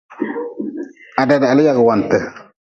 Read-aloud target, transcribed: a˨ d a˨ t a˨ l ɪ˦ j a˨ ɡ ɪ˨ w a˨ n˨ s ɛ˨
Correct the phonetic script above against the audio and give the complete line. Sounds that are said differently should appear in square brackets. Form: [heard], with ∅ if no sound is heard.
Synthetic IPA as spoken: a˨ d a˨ [d] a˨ l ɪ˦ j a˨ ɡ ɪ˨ w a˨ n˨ [t] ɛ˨